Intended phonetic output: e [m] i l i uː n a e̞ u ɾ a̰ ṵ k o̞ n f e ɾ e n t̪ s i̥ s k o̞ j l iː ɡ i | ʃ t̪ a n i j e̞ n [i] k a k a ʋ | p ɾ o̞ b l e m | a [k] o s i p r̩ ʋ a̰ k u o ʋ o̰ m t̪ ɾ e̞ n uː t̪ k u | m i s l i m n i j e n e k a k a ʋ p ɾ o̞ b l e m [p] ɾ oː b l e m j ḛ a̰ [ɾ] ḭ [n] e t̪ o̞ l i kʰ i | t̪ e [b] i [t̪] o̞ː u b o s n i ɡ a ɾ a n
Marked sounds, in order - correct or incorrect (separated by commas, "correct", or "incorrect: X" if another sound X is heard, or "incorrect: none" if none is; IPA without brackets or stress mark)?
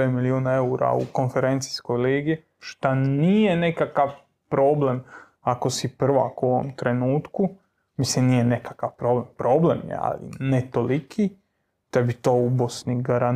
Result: correct, incorrect: e, correct, correct, incorrect: l, correct, correct, correct